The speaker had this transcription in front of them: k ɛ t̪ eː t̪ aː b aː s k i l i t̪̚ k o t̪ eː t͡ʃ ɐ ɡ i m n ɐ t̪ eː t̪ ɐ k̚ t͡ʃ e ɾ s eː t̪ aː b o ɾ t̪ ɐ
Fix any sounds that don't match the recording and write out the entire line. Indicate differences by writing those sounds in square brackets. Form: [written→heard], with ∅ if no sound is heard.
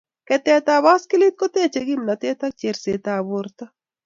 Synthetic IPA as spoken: k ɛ t̪ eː t̪ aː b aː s k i l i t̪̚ k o t̪ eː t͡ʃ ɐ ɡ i m n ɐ t̪ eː t̪ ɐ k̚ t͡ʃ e ɾ s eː t̪ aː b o ɾ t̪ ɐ